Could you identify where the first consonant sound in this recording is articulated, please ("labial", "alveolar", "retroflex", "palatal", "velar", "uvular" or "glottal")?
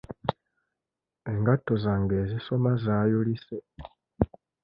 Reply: velar